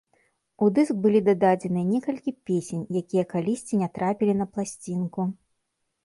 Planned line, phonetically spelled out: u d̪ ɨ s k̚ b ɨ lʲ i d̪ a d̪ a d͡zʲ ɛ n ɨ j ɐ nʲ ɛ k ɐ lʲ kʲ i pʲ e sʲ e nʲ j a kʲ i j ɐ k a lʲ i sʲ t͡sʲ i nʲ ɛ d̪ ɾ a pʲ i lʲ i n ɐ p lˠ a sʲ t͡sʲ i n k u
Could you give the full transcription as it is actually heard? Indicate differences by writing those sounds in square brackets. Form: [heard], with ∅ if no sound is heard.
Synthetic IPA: u d̪ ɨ s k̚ b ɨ lʲ i d̪ a d̪ a d͡zʲ ɛ n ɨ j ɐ nʲ ɛ k ɐ lʲ kʲ i pʲ e sʲ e nʲ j a kʲ i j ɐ k a lʲ i sʲ t͡sʲ i nʲ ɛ [t̪] ɾ a pʲ i lʲ i n ɐ p lˠ a sʲ t͡sʲ i n k u